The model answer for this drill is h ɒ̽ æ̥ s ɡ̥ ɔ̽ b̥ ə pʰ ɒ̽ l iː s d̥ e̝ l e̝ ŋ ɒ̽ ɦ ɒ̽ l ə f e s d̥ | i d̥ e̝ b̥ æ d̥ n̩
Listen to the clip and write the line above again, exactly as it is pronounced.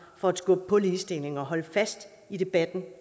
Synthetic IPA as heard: f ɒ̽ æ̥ s ɡ̥ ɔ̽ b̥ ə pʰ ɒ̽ l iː s d̥ e̝ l e̝ ŋ ɒ̽ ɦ ɒ̽ l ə f æ s d̥ | i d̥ e̝ b̥ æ d̥ n̩